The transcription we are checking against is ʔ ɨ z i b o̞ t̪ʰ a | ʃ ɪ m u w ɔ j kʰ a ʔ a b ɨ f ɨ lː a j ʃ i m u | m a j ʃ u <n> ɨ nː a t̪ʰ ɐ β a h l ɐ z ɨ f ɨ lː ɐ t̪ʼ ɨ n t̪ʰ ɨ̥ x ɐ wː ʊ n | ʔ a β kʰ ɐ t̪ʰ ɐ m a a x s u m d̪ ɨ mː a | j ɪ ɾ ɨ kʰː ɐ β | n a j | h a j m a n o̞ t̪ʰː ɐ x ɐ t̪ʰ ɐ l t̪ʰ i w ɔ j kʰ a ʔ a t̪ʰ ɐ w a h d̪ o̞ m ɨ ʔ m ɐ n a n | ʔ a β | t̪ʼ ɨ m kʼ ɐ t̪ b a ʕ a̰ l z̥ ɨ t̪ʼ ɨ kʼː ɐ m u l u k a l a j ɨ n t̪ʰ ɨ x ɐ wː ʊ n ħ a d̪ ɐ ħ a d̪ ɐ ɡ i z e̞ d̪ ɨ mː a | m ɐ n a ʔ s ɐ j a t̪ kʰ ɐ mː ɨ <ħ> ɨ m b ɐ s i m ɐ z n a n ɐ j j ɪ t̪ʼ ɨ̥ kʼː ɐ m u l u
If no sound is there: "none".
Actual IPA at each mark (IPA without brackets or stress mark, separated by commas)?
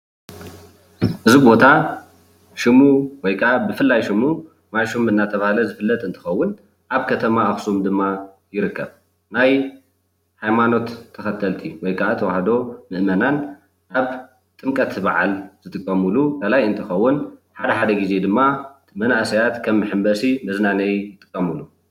m, ħ